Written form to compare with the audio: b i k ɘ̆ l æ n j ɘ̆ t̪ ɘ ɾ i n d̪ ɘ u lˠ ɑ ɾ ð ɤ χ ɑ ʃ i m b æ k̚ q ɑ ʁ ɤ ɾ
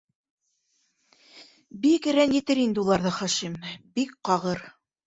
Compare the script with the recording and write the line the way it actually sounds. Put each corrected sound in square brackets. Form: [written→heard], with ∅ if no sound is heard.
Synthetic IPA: b i k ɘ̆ [l→ɾ] æ n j ɘ̆ t̪ ɘ ɾ i n d̪ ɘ u lˠ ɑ ɾ ð ɤ χ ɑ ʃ i m b [æ→i] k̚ q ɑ ʁ ɤ ɾ

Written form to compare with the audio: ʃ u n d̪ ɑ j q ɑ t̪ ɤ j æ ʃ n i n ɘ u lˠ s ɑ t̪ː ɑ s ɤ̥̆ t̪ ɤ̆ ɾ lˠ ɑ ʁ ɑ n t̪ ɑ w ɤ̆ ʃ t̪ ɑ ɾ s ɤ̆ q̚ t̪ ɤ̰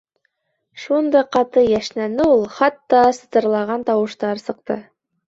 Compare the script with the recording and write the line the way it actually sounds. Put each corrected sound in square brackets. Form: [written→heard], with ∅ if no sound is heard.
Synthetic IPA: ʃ u n d̪ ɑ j q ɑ t̪ ɤ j æ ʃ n [i→æ] n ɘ u lˠ [s→χ] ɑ t̪ː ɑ s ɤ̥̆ t̪ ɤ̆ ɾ lˠ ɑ ʁ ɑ n t̪ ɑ w ɤ̆ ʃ t̪ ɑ ɾ s ɤ̆ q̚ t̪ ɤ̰

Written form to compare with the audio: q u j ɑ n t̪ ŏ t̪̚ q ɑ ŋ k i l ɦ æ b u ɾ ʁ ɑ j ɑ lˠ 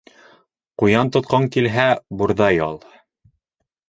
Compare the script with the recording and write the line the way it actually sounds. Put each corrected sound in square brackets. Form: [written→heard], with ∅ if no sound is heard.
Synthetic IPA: q u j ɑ n t̪ ŏ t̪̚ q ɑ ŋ k i l ɦ æ b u ɾ [ʁ→ð] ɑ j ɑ lˠ

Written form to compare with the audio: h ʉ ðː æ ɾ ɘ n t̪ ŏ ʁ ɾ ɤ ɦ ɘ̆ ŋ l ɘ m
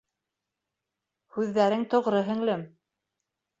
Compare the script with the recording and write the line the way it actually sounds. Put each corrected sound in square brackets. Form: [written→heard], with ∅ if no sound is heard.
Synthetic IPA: h ʉ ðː æ ɾ ɘ [n→ŋ] t̪ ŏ ʁ ɾ ɤ ɦ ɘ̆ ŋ l ɘ m

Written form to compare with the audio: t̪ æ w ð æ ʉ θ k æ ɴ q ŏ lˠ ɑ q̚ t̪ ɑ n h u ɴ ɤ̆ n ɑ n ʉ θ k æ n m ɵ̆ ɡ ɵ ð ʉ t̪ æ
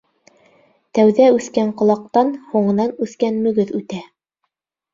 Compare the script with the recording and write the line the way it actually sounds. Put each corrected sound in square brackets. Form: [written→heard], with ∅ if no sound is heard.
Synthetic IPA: t̪ æ w ð æ ʉ θ k æ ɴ q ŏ lˠ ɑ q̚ t̪ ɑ n h u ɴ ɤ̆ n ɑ n ʉ θ k æ n m ɵ̆ ɡ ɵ ð ʉ t̪ æ

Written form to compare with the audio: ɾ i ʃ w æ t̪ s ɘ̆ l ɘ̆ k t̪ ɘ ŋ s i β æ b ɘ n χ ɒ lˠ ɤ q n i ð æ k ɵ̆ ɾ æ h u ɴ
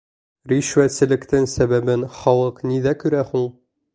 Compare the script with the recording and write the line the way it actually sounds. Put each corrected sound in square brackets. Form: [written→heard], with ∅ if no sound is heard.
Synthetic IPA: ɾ i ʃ w æ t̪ s ɘ̆ l ɘ̆ k t̪ ɘ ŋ s [i→æ] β æ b ɘ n χ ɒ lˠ ɤ q n i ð æ k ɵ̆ ɾ æ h u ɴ

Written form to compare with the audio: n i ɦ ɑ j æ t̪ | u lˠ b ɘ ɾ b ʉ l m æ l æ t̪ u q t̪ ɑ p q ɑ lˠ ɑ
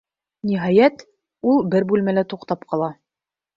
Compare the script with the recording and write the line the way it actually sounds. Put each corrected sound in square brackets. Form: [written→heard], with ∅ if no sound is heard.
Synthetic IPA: n i ɦ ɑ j æ t̪ | u lˠ b ɘ ɾ b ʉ l m æ l æ t̪ u q t̪ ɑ p q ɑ lˠ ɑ

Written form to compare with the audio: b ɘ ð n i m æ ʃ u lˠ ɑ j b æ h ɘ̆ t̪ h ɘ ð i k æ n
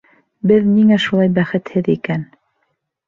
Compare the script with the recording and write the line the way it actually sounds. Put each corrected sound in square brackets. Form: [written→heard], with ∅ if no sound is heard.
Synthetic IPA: b ɘ ð n i [m→ŋ] æ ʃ u lˠ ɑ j b æ [h→χ] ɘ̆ t̪ h ɘ ð i k æ n

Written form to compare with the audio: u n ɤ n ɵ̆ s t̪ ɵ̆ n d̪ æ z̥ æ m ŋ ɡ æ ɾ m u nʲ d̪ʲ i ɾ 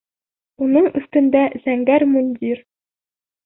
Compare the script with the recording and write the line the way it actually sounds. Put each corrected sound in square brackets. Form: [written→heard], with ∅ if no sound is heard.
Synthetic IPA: u n ɤ [n→ɴ] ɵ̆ s t̪ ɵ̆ n d̪ æ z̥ æ [m→∅] ŋ ɡ æ ɾ m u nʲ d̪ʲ i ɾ

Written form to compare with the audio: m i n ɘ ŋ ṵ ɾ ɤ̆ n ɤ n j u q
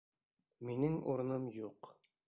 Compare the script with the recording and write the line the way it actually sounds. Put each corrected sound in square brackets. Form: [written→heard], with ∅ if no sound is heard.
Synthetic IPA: m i n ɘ ŋ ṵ ɾ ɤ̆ n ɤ [n→m] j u q

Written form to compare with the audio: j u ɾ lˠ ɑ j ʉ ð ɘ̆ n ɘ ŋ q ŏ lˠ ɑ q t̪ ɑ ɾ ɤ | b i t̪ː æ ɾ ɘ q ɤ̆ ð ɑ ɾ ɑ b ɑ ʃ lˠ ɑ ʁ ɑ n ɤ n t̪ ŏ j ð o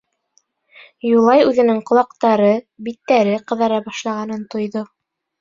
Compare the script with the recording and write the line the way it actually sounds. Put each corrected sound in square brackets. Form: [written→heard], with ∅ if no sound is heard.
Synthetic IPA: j u [ɾ→∅] lˠ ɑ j ʉ ð ɘ̆ n ɘ ŋ q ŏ lˠ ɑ q t̪ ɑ ɾ ɤ | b i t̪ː æ ɾ ɘ q ɤ̆ ð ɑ ɾ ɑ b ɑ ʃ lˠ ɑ ʁ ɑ n ɤ n t̪ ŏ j ð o

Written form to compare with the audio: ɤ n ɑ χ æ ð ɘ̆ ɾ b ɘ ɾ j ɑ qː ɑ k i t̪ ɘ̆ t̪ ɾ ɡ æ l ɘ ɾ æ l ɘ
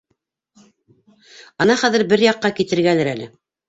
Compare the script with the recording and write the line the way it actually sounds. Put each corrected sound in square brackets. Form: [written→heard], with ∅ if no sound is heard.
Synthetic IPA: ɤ n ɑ χ æ ð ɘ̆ ɾ b ɘ ɾ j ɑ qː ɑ k i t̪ ɘ̆ [t̪→∅] ɾ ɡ æ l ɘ ɾ æ l ɘ

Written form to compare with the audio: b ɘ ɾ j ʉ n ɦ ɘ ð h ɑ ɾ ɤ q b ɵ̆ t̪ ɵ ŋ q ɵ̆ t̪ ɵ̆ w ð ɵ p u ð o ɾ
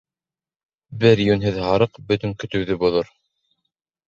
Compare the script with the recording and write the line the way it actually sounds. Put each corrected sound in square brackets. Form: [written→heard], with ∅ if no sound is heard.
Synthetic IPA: b ɘ ɾ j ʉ n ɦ ɘ ð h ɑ ɾ ɤ q b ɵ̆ t̪ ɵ ŋ [q→k] ɵ̆ t̪ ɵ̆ w ð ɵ [p→b] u ð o ɾ

